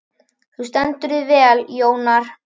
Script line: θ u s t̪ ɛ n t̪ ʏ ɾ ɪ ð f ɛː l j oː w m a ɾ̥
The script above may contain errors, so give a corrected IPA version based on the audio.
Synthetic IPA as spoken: θ u s t̪ ɛ n t̪ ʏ ɾ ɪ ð v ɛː l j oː w n a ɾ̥